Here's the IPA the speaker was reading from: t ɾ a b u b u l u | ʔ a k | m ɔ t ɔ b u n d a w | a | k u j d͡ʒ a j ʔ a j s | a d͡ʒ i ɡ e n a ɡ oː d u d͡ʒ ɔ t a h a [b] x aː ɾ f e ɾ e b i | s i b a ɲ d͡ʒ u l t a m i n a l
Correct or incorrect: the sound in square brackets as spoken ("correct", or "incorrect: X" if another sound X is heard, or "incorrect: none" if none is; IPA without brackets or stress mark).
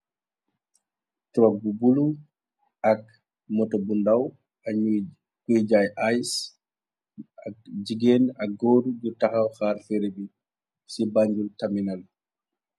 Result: incorrect: w